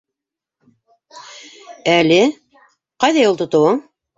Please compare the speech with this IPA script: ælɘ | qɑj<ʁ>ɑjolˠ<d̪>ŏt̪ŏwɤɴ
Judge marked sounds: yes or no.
no, no

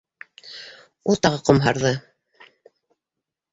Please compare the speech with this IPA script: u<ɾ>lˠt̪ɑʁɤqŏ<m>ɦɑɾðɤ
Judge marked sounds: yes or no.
no, yes

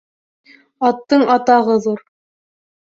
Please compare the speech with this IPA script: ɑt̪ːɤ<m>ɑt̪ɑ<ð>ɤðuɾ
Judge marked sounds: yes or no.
no, no

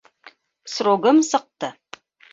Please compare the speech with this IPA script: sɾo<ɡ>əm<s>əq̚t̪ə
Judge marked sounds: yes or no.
yes, yes

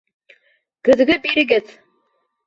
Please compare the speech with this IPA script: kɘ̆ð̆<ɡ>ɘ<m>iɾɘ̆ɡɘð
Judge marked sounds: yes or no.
yes, no

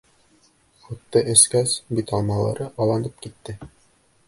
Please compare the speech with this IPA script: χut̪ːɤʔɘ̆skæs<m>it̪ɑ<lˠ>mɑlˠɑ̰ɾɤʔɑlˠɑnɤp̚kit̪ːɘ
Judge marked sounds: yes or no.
no, yes

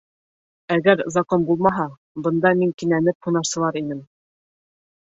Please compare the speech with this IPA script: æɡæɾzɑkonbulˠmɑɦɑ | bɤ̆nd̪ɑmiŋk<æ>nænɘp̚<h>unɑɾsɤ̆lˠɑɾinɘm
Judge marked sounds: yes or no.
no, yes

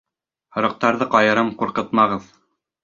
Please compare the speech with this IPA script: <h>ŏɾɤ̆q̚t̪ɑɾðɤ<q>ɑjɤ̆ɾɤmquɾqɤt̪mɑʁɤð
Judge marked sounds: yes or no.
yes, yes

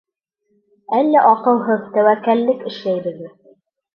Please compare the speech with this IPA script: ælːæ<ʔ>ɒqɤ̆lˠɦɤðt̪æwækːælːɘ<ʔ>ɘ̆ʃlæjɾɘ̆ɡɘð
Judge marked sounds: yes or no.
yes, no

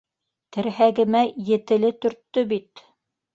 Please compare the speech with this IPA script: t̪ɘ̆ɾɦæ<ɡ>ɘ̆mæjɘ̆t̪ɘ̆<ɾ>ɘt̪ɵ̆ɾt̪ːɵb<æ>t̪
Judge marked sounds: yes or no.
yes, no, no

